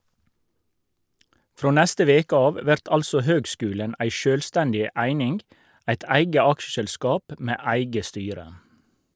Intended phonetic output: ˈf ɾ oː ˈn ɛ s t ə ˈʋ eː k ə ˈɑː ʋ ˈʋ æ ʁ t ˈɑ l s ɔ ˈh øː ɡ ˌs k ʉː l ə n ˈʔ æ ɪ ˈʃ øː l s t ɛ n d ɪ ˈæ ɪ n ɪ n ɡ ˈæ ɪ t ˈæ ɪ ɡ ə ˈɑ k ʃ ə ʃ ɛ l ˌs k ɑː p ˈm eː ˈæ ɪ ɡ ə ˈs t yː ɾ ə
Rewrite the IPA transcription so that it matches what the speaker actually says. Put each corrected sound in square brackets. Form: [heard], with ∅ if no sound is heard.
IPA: ˈf ɾ oː ˈn ɛ s t ə ˈʋ eː k ə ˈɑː ʋ ˈʋ æ ʁ t ˈɑ l s ɔ ˈh øː ɡ ˌs k ʉː l ə n ˈʔ æ ɪ ˈʃ øː l s t ɛ n d ɪ ˈæ ɪ n ɪ n ɡ ˈæ ɪ t ˈæ ɪ ɡ ə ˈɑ k ʃ ə ʃ ɛ l ˌs k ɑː p ˈm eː ˈæ ɪ ɡ ə ˈs t yː ɾ ə